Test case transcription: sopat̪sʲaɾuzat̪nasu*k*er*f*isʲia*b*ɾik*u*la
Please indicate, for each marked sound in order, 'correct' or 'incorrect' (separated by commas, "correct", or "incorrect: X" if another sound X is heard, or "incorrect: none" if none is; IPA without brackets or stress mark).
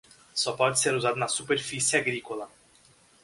incorrect: p, correct, incorrect: ɡ, incorrect: o